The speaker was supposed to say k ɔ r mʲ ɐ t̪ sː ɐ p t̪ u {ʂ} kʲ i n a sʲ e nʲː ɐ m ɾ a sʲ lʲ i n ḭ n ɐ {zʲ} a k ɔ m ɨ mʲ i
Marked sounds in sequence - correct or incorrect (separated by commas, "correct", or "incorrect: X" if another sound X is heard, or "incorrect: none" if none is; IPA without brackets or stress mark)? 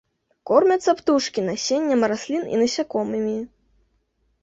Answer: correct, incorrect: sʲ